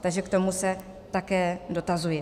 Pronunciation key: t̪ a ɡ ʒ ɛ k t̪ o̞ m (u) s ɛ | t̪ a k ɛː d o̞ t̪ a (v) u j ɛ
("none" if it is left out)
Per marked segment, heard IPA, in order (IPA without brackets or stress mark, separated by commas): u, z